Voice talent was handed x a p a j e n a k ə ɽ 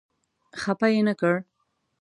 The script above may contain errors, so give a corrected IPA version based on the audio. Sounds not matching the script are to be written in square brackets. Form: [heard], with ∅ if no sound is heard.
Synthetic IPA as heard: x a p a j e n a k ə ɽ